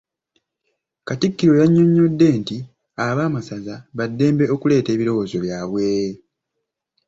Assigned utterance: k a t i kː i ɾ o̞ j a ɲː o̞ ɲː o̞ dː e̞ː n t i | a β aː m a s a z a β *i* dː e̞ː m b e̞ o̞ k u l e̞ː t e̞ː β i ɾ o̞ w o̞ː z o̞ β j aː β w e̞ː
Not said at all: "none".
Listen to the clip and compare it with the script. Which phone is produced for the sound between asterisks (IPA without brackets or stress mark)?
a